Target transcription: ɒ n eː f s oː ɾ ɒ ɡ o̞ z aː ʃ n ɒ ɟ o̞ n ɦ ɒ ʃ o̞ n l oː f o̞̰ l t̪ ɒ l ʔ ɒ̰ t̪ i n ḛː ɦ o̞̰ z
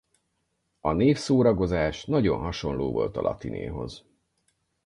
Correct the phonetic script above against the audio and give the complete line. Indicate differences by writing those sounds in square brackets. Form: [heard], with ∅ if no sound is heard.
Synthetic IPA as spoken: ɒ n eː f s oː ɾ ɒ ɡ o̞ z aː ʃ n ɒ ɟ o̞ n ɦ ɒ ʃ o̞ n l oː [v] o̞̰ l t̪ ɒ l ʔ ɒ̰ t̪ i n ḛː ɦ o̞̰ z

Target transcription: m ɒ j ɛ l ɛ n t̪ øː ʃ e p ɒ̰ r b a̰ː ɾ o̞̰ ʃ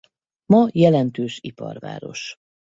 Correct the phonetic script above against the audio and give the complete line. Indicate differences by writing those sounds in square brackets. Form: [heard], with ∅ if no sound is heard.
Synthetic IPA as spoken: m ɒ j ɛ l ɛ n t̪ øː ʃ [i] p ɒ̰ r [v] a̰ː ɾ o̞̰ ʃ

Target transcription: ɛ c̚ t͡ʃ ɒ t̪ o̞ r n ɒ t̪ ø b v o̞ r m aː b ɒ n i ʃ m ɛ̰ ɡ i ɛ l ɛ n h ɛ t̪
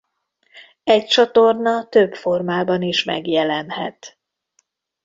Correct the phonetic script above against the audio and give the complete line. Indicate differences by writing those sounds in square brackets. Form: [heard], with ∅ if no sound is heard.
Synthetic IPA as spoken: ɛ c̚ t͡ʃ ɒ t̪ o̞ r n ɒ t̪ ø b [f] o̞ r m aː b ɒ n i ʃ m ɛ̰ ɡ [j] ɛ l ɛ n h ɛ t̪

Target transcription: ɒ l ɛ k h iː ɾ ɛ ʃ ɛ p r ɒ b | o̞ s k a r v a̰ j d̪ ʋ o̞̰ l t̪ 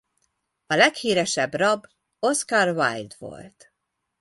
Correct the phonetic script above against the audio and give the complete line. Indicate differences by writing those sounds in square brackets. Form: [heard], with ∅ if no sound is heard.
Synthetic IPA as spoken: ɒ l ɛ k h iː ɾ ɛ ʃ ɛ [b] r ɒ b | o̞ s k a r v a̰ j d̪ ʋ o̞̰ l t̪

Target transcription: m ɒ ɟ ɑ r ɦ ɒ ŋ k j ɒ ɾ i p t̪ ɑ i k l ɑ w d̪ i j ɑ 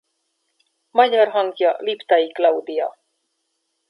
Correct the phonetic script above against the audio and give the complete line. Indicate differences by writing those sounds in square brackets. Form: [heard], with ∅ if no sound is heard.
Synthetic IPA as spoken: m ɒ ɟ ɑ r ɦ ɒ ŋ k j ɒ [l] i p t̪ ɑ i k l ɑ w d̪ i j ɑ

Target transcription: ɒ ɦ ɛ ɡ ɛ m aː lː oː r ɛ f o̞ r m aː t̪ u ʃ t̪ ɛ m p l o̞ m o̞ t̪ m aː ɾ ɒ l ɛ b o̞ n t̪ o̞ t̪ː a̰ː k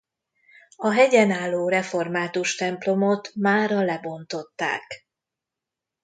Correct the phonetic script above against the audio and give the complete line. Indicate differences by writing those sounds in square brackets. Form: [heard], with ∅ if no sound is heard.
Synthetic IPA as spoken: ɒ ɦ ɛ [ɟ] ɛ [n] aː lː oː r ɛ f o̞ r m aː t̪ u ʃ t̪ ɛ m p l o̞ m o̞ t̪ m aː ɾ ɒ l ɛ b o̞ n t̪ o̞ t̪ː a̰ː k

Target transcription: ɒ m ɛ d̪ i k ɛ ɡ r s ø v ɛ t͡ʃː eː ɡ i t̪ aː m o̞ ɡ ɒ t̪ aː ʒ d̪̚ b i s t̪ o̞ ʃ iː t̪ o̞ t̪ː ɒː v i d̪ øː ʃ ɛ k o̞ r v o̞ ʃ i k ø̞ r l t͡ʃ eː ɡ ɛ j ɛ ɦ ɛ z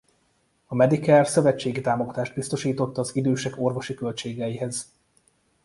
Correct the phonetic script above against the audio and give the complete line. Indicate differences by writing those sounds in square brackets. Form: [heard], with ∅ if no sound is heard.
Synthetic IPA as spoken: ɒ m ɛ d̪ i k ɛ [∅] r s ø v ɛ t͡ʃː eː ɡ i t̪ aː m o̞ ɡ ɒ t̪ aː ʒ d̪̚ b i s t̪ o̞ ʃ iː t̪ o̞ t̪ː ɒː [z] i d̪ øː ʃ ɛ k o̞ r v o̞ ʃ i k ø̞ [∅] l t͡ʃ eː ɡ ɛ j [i] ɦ ɛ z

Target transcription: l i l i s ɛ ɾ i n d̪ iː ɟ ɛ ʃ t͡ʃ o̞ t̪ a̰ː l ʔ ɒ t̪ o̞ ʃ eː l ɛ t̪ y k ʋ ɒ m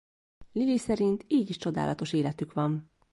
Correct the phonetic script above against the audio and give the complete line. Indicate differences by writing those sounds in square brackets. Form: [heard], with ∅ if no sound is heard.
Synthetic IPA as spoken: l i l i s ɛ ɾ i n [t̪] iː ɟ [i] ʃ t͡ʃ o̞ [d̪] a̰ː l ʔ ɒ t̪ o̞ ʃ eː l ɛ t̪ y k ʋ ɒ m

